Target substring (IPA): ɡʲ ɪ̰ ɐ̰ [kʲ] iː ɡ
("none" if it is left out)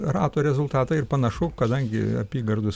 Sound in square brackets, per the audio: pʲ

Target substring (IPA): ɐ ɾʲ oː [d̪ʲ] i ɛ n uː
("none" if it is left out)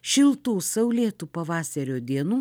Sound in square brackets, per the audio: d̪ʲ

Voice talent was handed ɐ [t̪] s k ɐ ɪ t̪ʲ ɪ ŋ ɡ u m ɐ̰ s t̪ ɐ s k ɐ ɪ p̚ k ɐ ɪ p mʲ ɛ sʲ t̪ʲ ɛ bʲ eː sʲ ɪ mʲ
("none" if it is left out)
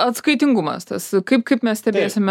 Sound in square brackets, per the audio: t̪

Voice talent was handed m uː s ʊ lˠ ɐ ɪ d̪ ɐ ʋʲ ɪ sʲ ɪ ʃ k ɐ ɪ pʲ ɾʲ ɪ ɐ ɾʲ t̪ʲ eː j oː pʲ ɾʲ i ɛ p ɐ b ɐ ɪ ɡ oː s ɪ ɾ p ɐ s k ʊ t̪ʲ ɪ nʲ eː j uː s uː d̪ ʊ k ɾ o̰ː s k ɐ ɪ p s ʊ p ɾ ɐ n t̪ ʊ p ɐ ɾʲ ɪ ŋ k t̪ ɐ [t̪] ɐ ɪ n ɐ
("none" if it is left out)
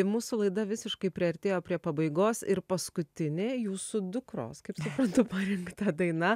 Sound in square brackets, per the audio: d̪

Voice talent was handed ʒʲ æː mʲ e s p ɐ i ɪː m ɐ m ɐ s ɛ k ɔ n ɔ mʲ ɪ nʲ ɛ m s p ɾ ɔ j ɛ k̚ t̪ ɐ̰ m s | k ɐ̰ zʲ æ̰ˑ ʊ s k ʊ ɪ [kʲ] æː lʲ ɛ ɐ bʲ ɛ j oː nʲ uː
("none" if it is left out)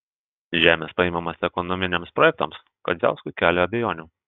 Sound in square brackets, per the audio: kʲ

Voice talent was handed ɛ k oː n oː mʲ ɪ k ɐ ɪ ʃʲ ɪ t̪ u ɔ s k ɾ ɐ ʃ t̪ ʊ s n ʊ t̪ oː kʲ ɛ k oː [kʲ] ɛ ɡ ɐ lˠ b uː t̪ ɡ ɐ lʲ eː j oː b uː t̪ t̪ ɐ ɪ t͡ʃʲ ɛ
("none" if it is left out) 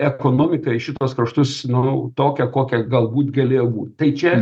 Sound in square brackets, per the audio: kʲ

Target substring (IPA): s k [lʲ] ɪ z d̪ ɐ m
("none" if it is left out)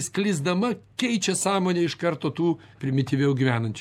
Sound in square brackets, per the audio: lʲ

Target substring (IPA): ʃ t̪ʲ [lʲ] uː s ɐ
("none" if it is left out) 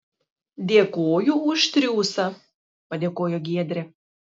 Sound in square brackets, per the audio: ɾʲ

